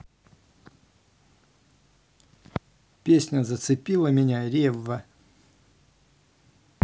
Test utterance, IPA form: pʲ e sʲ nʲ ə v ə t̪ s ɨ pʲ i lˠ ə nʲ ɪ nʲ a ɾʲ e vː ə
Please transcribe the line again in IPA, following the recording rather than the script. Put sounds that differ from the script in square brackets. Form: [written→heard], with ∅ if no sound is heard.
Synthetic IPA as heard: pʲ e sʲ nʲ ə [v→z] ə t̪ s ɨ pʲ i lˠ ə [nʲ→mʲ] ɪ nʲ a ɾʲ e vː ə